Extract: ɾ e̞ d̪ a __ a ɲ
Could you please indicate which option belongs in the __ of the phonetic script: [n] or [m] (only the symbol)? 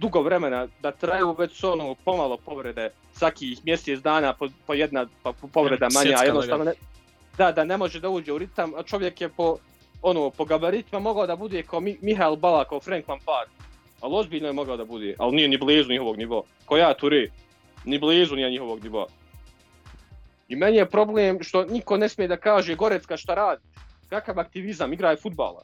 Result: m